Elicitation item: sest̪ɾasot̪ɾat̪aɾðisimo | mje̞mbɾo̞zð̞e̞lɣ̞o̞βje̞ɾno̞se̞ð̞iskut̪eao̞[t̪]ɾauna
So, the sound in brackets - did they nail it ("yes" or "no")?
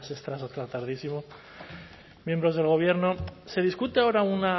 no